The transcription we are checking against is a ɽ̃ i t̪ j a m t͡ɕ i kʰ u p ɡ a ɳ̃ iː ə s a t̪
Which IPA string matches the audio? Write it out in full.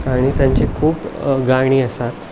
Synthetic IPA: a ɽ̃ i t̪ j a ɲ t͡ɕ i kʰ uː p ɡ a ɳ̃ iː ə s a t̪